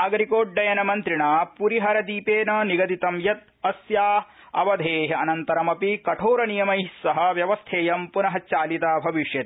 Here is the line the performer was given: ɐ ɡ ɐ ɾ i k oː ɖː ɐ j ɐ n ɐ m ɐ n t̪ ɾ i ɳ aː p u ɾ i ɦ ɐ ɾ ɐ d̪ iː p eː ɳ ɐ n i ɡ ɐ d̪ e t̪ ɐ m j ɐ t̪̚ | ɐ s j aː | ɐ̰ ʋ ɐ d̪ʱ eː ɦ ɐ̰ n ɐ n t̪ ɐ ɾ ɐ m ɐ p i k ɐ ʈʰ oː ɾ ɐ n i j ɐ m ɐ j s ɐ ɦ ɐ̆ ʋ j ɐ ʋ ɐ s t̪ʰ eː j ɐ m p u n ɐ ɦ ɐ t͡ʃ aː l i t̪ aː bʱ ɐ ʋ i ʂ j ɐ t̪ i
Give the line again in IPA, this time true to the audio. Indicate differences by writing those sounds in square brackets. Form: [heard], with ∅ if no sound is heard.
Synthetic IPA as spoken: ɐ ɡ ɐ ɾ i k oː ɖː ɐ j ɐ n ɐ m ɐ n t̪ ɾ i ɳ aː p u ɾ i ɦ ɐ ɾ ɐ d̪ iː p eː [n] ɐ n i ɡ ɐ d̪ [i] t̪ ɐ m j ɐ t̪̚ | ɐ s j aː | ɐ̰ ʋ ɐ d̪ʱ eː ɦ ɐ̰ n ɐ n t̪ ɐ ɾ ɐ m ɐ p i k ɐ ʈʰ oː ɾ ɐ n i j ɐ m ɐ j s ɐ ɦ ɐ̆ ʋ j ɐ ʋ ɐ s t̪ʰ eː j ɐ m p u n ɐ ɦ ɐ t͡ʃ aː l i t̪ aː bʱ ɐ ʋ i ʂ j ɐ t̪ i